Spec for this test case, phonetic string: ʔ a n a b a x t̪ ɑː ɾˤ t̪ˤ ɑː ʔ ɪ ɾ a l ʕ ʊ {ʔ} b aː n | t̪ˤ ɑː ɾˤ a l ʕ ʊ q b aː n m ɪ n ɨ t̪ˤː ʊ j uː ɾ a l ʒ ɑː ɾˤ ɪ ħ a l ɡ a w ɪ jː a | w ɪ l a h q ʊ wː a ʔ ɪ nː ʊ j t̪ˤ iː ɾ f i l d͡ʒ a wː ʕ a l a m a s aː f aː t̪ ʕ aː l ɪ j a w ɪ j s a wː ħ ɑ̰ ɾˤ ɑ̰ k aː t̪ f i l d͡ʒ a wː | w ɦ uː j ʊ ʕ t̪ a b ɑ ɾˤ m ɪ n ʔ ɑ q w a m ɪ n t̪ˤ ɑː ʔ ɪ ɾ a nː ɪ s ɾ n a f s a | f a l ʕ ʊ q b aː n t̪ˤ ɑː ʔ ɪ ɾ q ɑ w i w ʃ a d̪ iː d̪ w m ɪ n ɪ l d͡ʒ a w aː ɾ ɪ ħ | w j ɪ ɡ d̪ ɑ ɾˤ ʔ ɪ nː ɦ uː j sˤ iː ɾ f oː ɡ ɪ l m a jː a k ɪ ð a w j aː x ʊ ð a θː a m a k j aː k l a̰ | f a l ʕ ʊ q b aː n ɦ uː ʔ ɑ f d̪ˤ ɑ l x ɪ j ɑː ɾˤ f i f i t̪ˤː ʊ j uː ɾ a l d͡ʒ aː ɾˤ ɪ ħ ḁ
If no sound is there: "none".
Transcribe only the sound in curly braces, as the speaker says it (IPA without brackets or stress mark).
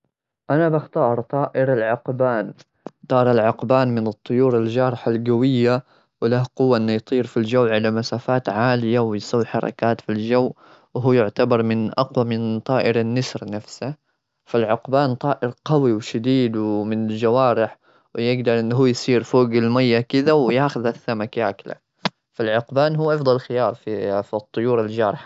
q